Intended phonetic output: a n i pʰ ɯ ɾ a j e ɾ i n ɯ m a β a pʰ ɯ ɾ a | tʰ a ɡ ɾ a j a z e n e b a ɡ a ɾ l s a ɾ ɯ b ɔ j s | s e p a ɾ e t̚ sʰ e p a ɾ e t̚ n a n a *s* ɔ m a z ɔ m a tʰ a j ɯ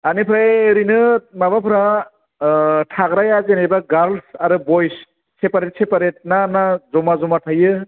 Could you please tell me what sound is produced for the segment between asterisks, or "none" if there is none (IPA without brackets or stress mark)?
z